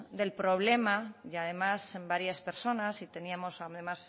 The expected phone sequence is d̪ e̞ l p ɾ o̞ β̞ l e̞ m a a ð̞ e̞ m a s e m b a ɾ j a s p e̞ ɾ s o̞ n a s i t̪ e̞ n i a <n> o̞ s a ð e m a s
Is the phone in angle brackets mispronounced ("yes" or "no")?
yes